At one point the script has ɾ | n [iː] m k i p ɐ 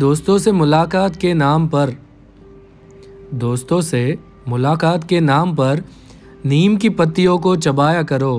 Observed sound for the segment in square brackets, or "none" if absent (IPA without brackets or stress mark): iː